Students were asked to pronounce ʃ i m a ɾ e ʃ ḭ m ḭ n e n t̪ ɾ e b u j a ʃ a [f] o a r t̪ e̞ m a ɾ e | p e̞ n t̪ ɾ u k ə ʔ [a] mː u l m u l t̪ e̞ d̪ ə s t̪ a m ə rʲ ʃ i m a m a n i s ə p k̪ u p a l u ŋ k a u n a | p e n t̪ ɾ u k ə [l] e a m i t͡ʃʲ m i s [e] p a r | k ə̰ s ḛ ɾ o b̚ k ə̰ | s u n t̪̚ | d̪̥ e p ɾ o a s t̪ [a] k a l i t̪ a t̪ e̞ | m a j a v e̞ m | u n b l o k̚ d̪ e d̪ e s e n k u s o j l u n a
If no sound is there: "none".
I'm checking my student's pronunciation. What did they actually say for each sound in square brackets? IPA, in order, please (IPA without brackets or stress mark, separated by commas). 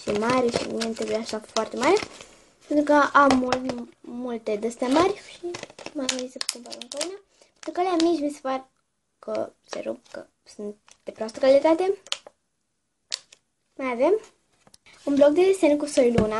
f, a, l, e, ə